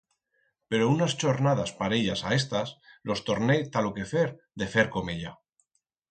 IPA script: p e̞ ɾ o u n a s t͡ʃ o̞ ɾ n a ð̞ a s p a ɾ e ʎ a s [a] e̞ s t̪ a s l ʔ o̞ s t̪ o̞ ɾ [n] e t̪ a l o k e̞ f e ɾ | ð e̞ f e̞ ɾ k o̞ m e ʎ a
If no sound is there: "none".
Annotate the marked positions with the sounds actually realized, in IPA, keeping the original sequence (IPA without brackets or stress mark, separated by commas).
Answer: a, n